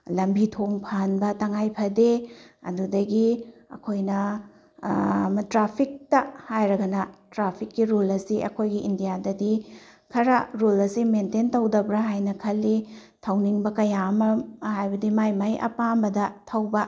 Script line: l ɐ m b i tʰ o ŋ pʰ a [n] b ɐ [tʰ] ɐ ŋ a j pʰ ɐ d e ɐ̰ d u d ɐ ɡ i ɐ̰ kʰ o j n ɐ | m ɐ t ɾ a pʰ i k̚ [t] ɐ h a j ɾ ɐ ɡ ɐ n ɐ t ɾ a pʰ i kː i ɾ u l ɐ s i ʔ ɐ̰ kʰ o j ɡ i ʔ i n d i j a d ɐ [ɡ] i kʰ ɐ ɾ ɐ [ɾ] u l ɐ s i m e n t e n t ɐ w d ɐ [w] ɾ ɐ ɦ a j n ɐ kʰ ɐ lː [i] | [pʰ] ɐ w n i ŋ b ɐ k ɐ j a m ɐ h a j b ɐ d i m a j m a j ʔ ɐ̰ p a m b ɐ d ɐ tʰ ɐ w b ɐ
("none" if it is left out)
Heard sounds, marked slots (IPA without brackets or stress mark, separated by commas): n, t, t, d, ɾ, b, i, tʰ